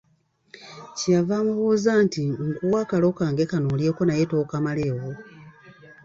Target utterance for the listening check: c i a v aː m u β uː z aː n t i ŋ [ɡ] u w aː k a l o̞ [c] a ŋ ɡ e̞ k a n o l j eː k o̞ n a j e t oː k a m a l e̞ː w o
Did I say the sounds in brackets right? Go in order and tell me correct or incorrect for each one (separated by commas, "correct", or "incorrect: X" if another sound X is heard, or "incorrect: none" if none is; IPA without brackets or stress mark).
incorrect: k, incorrect: k